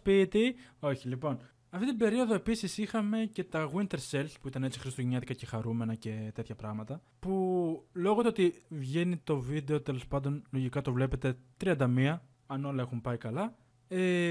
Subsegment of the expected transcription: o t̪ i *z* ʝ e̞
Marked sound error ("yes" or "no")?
yes